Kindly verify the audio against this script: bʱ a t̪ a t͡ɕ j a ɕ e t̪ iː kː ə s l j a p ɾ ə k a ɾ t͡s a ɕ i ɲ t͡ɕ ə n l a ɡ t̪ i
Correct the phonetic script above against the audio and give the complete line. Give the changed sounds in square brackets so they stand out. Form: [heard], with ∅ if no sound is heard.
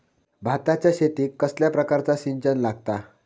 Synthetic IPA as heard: bʱ a t̪ a t͡ɕ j a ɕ e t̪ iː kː ə s l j a p ɾ ə k a ɾ t͡s a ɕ i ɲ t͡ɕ ə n l a ɡ t̪ [a]